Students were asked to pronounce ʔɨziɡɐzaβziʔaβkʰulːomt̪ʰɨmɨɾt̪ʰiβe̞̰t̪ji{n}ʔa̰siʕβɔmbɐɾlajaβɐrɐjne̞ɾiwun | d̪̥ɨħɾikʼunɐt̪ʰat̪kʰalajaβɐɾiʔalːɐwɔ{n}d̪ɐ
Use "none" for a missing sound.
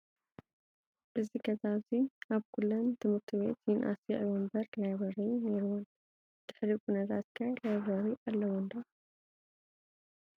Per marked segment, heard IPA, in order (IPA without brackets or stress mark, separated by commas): n, n